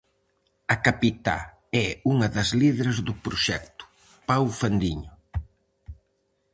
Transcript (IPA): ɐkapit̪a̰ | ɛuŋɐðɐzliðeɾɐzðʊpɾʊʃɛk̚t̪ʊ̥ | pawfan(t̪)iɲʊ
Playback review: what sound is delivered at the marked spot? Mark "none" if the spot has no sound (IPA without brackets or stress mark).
d̪